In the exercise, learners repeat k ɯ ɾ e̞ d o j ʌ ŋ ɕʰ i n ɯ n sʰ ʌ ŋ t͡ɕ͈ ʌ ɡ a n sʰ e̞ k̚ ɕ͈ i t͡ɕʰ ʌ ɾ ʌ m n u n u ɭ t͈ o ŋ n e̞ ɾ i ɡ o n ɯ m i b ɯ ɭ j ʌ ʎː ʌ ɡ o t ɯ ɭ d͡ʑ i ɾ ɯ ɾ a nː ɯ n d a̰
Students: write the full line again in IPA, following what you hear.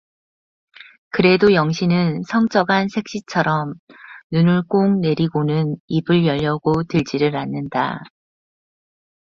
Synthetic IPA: k ɯ ɾ e̞ d o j ʌ ŋ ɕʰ i n ɯ n sʰ ʌ ŋ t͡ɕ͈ ʌ ɡ a n sʰ e̞ k̚ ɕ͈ i t͡ɕʰ ʌ ɾ ʌ m n u n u ɭ k͈ o ŋ n e̞ ɾ i ɡ o n ɯ n i b ɯ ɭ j ʌ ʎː ʌ ɡ o t ɯ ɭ d͡ʑ i ɾ ɯ ɾ a nː ɯ n d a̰